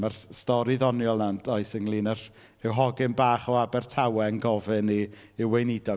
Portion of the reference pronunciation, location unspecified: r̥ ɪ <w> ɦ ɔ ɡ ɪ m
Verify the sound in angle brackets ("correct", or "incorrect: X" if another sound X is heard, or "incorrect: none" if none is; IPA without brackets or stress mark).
correct